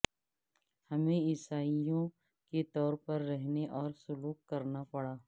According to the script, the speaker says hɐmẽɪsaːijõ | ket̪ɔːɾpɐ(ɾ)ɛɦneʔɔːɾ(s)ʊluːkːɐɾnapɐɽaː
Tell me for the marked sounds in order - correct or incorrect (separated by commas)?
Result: incorrect, correct